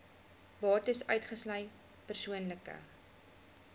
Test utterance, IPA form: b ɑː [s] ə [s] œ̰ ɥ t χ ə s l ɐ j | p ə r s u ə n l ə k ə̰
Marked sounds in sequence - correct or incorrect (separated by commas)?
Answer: incorrect, correct